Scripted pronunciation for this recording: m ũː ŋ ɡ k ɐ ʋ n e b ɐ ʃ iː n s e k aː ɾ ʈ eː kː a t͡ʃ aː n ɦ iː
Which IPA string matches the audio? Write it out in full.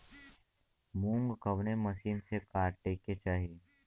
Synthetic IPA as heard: m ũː ŋ ɡ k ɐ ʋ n e m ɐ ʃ iː n s e k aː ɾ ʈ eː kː e t͡ʃ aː ɦ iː